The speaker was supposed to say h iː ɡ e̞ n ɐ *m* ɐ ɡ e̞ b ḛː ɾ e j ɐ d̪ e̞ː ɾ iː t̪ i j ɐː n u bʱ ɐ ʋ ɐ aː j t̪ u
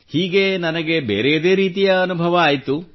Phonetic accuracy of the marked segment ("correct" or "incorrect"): incorrect